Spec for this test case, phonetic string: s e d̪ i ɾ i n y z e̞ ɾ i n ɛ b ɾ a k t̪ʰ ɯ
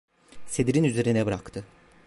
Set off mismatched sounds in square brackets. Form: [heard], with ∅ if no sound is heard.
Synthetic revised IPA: s e d̪ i ɾ i n y z e̞ ɾ i n ɛ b ɾ a k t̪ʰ ɯ